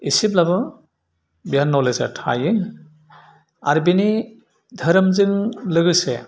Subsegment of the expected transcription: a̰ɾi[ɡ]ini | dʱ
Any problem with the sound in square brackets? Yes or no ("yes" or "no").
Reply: yes